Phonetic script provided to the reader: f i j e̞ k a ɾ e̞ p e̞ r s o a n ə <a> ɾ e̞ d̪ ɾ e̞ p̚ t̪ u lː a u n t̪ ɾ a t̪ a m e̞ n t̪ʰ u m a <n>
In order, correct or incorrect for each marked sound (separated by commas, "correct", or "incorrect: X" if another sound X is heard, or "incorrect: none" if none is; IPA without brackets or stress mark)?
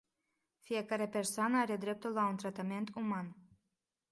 correct, correct